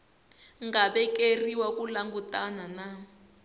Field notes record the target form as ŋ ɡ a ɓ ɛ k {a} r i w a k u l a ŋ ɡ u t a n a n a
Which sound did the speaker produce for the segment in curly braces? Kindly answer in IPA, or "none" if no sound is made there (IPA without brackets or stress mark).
e